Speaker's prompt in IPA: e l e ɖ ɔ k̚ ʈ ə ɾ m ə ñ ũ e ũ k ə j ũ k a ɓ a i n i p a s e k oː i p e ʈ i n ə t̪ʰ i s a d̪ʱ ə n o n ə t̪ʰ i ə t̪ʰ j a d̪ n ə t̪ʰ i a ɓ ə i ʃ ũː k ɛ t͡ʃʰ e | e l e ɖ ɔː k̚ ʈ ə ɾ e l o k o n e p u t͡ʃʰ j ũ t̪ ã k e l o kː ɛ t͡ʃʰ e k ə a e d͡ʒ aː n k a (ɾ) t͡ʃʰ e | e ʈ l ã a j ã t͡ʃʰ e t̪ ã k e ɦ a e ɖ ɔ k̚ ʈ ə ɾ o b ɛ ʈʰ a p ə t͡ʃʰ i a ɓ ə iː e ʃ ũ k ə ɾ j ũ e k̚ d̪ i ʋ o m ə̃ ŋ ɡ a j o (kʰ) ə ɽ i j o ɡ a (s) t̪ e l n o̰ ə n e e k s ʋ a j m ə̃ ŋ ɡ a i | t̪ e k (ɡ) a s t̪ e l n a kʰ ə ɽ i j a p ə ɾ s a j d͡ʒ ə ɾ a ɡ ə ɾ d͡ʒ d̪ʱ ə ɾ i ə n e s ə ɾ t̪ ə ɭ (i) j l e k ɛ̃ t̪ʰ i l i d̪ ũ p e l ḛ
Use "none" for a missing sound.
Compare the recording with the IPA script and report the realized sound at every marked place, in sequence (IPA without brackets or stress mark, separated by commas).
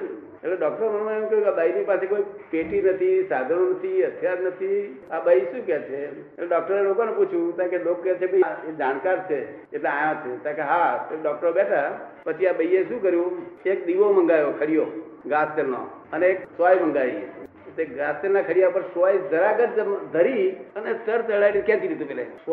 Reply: ɾ, kʰ, s, ɡ, a